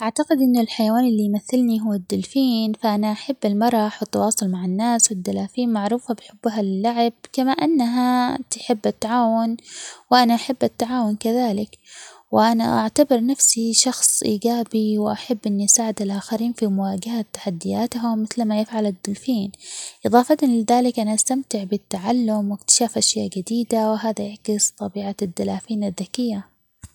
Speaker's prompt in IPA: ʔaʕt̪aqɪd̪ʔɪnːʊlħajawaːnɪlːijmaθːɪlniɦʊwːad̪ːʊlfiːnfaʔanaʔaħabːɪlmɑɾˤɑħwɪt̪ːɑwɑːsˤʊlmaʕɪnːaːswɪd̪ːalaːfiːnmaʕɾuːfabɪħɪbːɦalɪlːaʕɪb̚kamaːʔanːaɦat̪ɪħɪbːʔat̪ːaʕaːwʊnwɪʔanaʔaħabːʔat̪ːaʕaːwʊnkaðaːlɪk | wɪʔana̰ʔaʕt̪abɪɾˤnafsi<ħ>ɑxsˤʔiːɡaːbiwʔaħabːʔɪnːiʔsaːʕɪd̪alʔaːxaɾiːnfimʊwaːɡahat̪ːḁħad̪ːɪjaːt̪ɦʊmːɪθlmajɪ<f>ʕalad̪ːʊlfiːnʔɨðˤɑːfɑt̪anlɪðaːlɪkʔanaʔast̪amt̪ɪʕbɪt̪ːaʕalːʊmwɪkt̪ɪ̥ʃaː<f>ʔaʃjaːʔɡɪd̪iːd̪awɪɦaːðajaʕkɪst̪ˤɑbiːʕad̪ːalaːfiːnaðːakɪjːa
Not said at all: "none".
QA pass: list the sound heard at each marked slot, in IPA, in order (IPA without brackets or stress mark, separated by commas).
ʃ, f, f